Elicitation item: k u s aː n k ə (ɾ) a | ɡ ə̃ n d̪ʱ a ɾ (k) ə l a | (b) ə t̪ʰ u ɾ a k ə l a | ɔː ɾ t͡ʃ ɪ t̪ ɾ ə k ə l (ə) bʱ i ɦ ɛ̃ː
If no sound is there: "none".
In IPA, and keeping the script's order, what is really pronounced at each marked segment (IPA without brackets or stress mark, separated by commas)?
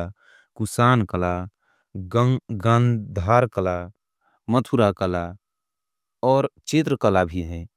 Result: l, k, m, a